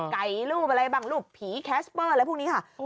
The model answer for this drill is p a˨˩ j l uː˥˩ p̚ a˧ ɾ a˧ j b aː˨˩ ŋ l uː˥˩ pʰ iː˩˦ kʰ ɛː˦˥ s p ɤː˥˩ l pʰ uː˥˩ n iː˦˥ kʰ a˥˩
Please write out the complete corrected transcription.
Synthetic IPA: k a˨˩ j l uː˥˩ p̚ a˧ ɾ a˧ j b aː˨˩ ŋ l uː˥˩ pʰ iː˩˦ kʰ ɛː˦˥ s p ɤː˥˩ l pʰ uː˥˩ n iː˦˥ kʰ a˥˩